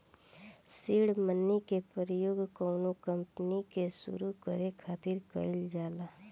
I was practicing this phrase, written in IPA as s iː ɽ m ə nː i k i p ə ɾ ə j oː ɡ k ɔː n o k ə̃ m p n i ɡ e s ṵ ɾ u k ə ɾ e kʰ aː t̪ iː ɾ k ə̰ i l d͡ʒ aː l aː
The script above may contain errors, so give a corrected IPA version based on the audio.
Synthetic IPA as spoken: s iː ɽ m ə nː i k e p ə ɾ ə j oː ɡ k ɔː n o k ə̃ m p n i k e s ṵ ɾ u k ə ɾ e kʰ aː t̪ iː ɾ k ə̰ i l d͡ʒ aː l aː